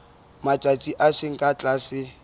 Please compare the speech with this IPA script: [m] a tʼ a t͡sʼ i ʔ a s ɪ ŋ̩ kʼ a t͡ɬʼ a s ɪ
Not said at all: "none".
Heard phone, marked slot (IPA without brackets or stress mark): m